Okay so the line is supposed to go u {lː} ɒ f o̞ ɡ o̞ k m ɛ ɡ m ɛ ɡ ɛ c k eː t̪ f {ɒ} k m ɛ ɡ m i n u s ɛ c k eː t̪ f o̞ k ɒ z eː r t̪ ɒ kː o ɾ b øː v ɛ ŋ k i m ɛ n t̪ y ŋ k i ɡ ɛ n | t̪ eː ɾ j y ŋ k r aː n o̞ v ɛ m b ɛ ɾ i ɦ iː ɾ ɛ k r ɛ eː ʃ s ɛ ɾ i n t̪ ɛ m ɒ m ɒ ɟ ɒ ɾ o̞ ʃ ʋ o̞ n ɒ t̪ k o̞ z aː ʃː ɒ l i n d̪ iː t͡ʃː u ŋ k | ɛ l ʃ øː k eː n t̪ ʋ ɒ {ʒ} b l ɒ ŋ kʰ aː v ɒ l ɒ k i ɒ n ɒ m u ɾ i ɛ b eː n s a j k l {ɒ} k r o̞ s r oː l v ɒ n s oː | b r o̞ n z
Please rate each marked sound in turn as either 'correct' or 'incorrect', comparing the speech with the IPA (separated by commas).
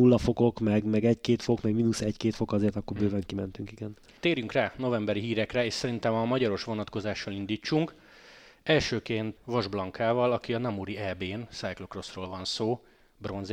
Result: correct, incorrect, correct, incorrect